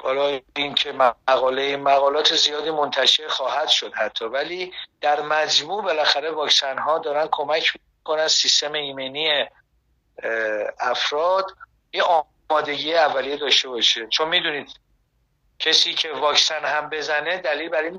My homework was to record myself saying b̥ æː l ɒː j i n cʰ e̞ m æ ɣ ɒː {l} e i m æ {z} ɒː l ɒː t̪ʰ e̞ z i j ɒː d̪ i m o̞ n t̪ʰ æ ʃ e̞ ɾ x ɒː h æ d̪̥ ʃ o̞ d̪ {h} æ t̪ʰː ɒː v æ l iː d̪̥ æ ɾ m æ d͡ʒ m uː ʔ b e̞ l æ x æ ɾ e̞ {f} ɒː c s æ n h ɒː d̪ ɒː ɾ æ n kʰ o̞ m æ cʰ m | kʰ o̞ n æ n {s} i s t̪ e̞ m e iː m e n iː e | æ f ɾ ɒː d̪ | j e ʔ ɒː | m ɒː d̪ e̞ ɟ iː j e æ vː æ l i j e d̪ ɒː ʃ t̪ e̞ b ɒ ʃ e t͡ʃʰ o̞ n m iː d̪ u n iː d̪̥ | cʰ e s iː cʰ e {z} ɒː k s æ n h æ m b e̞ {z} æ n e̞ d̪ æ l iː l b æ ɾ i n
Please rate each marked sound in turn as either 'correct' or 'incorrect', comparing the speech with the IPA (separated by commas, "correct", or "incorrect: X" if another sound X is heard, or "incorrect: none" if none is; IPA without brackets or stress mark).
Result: correct, incorrect: ɣ, correct, incorrect: v, correct, incorrect: v, correct